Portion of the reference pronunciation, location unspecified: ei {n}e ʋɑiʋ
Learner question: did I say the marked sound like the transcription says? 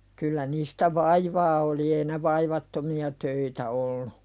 yes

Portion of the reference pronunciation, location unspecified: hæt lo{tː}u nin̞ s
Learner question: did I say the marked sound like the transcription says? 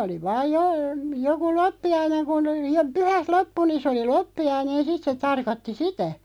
no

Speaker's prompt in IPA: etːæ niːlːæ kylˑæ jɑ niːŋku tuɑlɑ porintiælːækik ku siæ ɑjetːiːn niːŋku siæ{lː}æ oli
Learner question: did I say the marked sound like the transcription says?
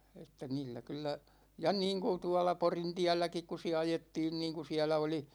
no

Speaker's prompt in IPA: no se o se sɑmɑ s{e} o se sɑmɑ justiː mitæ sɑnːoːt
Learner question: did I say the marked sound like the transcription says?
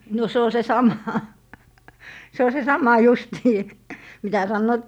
yes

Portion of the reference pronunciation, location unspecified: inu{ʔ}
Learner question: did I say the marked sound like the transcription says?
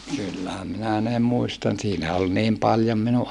yes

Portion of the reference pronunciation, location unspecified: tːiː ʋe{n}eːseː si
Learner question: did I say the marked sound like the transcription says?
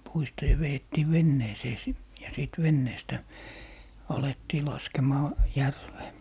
no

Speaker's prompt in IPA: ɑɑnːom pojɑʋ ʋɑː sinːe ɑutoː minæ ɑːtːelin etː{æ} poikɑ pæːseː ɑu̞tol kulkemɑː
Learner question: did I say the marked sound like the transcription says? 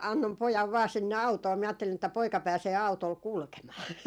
yes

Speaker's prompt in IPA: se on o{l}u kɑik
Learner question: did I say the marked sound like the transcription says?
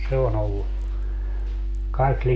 no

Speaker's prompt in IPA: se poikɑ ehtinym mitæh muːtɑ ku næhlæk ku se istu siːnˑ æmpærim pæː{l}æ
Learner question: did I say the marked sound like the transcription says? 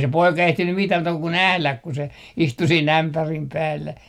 no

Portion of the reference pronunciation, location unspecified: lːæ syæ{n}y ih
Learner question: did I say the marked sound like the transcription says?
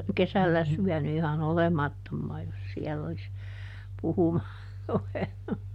yes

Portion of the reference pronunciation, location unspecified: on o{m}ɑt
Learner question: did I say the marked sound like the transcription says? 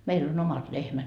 yes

